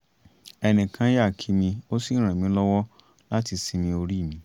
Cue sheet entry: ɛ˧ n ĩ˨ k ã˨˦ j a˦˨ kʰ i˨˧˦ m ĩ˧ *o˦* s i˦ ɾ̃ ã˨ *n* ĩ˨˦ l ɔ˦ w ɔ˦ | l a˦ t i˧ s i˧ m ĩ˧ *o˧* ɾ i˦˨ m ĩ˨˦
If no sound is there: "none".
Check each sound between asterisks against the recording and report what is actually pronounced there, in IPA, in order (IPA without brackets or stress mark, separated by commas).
o˦, m, o˧